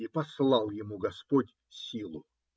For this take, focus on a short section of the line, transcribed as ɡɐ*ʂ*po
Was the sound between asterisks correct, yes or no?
no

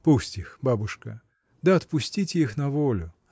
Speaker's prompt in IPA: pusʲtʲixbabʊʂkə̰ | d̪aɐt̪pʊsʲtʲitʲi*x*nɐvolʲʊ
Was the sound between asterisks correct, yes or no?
yes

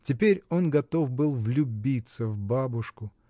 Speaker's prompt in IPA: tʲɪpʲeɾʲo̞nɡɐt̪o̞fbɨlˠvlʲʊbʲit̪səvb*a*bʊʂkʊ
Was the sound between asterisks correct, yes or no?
yes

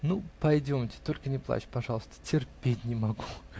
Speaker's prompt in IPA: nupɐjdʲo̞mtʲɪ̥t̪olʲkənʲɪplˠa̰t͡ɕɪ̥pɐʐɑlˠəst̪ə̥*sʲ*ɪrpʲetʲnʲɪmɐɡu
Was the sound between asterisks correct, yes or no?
no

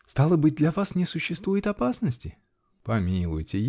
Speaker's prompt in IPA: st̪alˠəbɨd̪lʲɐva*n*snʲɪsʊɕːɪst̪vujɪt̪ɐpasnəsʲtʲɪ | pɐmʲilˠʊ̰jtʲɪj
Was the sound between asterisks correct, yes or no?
no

